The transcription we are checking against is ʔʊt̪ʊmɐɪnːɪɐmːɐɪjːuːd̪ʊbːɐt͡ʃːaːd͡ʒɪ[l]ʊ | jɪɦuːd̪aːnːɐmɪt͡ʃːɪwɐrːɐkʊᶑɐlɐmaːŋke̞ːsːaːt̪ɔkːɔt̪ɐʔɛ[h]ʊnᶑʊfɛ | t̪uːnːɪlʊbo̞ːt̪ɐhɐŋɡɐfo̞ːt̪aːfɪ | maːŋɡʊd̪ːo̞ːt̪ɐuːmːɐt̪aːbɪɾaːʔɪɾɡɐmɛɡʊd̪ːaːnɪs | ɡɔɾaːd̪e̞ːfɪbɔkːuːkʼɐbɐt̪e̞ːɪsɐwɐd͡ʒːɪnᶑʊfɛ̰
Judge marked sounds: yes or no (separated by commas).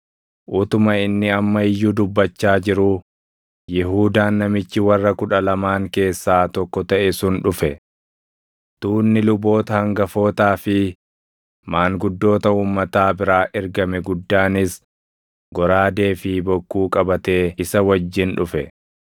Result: no, no